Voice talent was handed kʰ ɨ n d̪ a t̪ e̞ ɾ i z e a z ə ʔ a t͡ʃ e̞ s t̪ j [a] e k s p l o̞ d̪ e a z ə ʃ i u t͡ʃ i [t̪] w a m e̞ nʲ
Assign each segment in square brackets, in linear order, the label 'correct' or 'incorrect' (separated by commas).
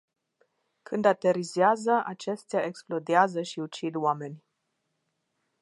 correct, incorrect